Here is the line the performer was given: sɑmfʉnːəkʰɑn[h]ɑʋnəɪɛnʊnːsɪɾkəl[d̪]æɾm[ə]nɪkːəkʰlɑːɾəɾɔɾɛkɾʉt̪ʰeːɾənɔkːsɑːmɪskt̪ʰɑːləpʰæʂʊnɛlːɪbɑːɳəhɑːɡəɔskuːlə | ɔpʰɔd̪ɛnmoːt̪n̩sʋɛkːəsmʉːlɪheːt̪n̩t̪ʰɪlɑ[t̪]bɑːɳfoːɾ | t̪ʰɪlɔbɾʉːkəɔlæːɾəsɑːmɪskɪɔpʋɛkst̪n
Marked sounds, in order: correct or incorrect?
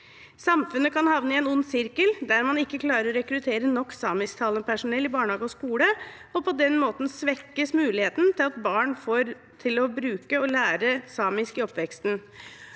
correct, correct, incorrect: ɑ, correct

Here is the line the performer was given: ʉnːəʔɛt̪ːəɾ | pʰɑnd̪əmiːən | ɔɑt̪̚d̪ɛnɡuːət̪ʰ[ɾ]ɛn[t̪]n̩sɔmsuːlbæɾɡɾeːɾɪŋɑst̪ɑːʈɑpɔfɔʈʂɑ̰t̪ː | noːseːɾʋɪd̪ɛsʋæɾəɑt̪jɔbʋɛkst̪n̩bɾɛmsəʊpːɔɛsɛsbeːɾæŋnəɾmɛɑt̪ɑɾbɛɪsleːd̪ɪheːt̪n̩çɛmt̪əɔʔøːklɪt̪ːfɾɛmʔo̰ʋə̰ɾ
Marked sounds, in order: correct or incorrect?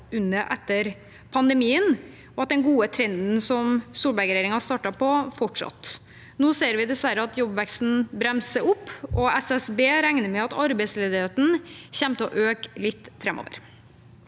correct, incorrect: d̪

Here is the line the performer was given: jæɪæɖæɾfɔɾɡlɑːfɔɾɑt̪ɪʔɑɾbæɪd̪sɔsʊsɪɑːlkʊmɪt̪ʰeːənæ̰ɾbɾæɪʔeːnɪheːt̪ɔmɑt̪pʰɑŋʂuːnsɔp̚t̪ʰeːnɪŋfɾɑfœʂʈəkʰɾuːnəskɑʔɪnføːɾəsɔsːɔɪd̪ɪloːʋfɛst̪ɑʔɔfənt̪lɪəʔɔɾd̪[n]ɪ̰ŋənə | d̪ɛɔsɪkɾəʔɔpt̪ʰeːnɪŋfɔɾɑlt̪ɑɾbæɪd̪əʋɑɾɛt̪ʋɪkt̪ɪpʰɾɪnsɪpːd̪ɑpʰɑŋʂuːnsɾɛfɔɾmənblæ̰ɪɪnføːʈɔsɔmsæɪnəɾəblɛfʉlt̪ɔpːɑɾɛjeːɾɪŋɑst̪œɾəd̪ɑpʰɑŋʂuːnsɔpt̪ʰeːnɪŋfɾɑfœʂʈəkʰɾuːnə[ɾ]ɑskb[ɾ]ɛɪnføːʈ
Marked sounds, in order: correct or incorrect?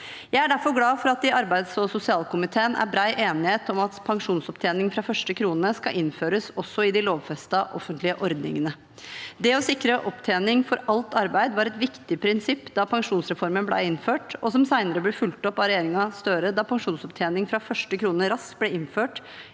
correct, correct, incorrect: l

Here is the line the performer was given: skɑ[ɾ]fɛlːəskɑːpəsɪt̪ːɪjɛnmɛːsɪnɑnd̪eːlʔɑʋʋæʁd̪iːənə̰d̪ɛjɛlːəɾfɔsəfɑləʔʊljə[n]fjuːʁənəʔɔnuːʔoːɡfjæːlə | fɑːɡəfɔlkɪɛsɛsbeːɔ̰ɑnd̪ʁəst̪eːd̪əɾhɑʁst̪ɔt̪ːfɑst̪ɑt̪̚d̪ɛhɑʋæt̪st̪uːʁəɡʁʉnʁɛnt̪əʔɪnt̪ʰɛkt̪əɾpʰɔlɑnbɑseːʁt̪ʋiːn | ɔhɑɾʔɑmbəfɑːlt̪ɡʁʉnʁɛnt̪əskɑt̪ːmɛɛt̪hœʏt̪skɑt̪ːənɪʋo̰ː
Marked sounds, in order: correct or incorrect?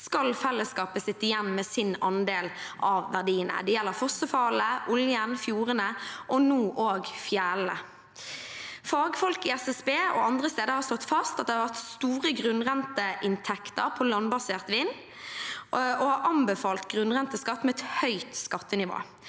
incorrect: l, correct

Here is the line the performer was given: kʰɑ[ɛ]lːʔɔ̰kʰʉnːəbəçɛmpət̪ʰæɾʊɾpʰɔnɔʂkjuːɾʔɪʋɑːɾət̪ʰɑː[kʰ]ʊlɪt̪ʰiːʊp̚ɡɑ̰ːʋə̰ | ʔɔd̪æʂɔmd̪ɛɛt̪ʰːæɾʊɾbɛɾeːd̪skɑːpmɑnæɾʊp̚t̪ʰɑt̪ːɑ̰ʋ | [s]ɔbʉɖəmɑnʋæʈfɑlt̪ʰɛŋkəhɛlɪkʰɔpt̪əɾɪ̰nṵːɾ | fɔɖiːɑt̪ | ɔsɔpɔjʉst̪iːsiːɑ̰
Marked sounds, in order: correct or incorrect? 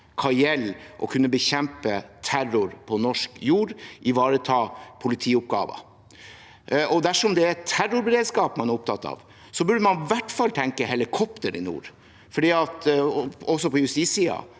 correct, incorrect: pʰ, correct

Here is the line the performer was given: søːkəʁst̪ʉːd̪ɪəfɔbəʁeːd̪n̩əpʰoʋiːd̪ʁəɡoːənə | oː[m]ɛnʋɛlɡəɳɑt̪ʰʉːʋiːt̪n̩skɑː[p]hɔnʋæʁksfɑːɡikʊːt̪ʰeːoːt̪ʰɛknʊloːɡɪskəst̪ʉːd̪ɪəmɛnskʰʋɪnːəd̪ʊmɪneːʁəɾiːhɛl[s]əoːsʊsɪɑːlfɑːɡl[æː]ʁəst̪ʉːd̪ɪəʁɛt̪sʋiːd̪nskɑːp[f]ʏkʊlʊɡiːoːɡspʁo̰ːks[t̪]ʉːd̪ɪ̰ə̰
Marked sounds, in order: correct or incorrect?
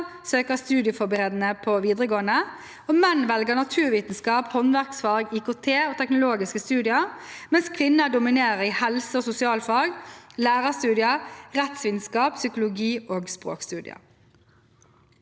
correct, correct, correct, correct, incorrect: s, correct

